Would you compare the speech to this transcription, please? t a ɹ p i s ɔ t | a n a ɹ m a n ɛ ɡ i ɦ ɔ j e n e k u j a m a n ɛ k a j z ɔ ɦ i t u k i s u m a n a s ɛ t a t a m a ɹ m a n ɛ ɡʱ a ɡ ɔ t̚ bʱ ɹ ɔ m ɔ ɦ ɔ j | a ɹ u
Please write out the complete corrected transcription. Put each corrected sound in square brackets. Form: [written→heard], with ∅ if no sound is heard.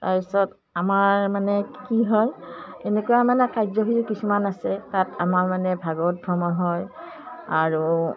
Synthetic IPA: t a ɹ p i s ɔ t | a [n→m] a ɹ m a n ɛ [ɡ→k] i ɦ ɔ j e n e k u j a m a n ɛ k a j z ɔ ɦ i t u k i s u m a n a s ɛ t a t a m a ɹ m a n ɛ [ɡʱ→bʱ] a ɡ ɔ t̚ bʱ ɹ ɔ m ɔ ɦ ɔ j | a ɹ u